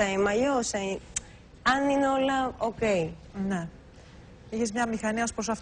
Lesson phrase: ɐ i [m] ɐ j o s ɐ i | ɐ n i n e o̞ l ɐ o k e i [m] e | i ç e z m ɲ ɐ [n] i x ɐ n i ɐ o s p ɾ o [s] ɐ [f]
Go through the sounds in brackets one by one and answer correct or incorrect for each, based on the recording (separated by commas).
correct, incorrect, incorrect, correct, correct